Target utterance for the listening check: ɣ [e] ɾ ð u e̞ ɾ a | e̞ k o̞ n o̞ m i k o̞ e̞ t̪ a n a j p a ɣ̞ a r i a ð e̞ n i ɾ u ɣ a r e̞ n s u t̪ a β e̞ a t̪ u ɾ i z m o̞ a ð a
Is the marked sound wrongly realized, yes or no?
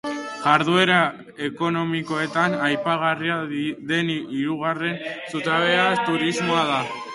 yes